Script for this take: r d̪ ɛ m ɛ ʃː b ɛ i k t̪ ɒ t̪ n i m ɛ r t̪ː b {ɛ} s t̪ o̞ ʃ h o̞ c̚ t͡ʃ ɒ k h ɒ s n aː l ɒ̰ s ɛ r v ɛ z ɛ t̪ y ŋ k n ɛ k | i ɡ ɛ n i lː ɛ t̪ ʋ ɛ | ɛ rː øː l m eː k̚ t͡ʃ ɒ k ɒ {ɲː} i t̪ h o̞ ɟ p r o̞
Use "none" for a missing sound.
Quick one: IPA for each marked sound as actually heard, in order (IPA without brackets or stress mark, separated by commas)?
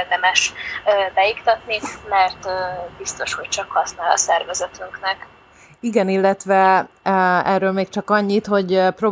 i, ɲː